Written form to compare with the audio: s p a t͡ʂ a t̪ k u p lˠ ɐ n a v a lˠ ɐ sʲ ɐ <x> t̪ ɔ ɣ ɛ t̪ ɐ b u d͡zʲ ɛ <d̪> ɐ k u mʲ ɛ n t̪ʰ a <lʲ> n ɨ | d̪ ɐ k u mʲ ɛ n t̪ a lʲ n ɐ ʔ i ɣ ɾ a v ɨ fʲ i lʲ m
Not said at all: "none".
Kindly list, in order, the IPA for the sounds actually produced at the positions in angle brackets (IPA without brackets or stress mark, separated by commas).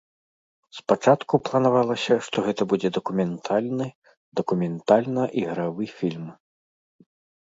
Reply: ʂ, d̪, lʲ